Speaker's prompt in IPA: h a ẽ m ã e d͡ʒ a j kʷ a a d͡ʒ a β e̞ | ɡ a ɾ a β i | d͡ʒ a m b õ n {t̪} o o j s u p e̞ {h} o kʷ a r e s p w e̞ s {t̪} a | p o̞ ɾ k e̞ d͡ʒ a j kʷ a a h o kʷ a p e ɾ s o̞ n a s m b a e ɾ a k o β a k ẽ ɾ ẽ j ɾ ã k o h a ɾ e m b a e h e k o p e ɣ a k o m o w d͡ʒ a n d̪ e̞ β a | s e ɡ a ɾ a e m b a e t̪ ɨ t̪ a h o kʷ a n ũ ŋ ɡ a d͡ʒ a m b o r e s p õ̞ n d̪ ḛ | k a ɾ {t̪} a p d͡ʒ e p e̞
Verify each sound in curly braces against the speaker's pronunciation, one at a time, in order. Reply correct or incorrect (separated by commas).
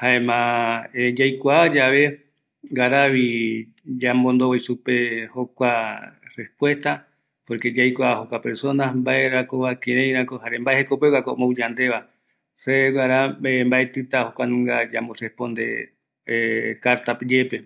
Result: incorrect, correct, correct, correct